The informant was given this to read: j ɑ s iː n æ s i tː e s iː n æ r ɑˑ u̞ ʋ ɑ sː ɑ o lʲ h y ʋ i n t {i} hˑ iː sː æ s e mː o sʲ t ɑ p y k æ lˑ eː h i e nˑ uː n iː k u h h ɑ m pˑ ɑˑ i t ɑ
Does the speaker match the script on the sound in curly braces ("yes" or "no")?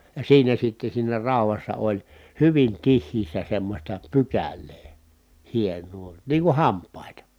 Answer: yes